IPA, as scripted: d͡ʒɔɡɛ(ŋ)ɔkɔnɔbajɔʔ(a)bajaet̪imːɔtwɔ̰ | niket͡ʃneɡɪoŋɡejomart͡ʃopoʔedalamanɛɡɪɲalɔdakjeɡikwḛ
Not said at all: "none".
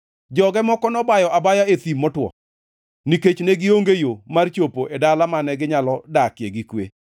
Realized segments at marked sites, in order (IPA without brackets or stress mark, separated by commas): m, a